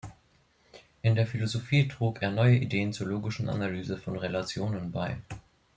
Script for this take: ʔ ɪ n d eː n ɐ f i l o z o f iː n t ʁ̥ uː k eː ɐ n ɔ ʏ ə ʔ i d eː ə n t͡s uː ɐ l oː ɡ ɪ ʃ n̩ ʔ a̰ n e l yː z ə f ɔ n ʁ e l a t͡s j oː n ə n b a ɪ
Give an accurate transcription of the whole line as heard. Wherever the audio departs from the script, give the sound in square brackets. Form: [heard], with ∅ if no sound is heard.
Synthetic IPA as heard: ʔ ɪ n d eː [∅] ɐ f i l o z o f iː [∅] t ʁ̥ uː k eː ɐ n ɔ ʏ ə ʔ i d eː ə n t͡s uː ɐ l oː ɡ ɪ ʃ n̩ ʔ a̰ n [a] l yː z ə f ɔ n ʁ e l a t͡s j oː n ə n b a ɪ